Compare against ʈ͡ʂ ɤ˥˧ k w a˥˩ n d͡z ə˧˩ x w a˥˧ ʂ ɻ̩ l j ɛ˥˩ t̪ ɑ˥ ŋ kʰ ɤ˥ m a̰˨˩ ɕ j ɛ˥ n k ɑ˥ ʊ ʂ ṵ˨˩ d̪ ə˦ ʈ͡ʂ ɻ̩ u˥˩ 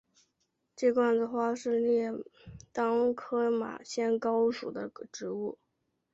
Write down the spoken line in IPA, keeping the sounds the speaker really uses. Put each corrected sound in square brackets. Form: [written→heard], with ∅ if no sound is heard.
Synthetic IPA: ʈ͡ʂ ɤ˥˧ k w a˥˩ n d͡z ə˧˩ x w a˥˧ ʂ ɻ̩ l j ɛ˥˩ t̪ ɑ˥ ŋ kʰ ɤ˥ m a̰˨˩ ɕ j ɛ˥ n k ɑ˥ ʊ ʂ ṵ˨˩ d̪ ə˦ ʈ͡ʂ ɻ̩ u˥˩